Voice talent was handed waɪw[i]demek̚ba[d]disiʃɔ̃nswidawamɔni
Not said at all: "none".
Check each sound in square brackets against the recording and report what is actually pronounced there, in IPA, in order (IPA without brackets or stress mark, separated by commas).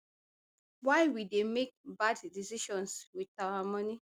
i, d